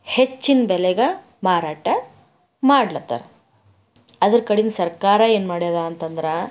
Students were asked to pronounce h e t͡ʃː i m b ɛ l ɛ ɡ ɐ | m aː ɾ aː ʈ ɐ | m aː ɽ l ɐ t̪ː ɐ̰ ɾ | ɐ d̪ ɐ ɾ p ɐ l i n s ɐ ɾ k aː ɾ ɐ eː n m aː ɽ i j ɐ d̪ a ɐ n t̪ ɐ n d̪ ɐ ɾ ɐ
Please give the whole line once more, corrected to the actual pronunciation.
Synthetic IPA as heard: h e t͡ʃː i n b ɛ l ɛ ɡ ɐ | m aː ɾ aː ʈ ɐ | m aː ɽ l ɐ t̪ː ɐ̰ ɾ | ɐ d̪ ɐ ɾ k ɐ ɽ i n s ɐ ɾ k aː ɾ ɐ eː n m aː ɽ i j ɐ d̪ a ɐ n t̪ ɐ n d̪ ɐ ɾ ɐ